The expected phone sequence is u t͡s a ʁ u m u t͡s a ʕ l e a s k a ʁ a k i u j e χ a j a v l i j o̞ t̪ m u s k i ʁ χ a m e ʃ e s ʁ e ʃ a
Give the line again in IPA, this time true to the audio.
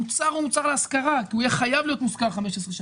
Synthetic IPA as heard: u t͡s a ʁ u m u t͡s a ʁ l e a s k a ʁ a k i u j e χ a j a v l i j o̞ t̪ m u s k a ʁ χ a m e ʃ e s ʁ e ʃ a